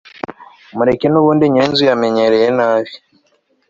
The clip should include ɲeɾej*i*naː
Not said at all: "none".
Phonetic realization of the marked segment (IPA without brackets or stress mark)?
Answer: e